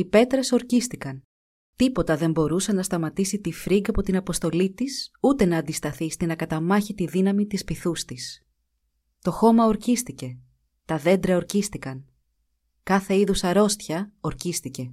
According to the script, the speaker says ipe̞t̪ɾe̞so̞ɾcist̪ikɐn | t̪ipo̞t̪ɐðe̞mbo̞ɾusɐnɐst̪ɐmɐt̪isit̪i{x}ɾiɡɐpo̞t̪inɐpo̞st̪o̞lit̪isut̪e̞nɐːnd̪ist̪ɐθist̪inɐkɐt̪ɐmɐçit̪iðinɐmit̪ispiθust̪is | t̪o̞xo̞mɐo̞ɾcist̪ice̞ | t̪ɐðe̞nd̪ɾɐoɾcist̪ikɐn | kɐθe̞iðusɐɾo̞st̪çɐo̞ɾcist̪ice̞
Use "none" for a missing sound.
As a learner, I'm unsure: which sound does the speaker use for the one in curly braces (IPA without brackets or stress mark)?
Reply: f